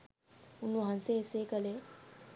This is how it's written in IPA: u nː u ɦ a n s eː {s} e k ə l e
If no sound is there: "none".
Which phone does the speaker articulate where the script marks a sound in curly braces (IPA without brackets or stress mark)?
s